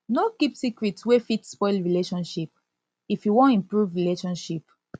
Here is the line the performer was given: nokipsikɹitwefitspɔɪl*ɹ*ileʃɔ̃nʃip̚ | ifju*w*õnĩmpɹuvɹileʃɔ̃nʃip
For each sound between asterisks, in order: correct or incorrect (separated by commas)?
correct, correct